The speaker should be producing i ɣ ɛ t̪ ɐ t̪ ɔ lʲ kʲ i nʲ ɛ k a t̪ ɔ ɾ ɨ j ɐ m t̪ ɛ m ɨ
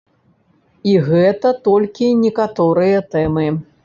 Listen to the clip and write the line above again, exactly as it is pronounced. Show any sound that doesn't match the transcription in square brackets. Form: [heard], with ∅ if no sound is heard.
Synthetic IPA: i ɣ ɛ t̪ ɐ t̪ ɔ lʲ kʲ i nʲ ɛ k a t̪ ɔ ɾ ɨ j ɐ [∅] t̪ ɛ m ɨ